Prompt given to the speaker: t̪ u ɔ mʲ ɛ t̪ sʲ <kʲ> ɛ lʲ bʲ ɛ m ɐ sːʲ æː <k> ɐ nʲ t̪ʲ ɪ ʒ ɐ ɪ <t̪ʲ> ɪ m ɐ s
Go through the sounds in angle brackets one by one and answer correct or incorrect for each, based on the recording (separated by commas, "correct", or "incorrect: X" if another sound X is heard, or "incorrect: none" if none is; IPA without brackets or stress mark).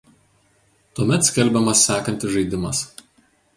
correct, correct, incorrect: d̪ʲ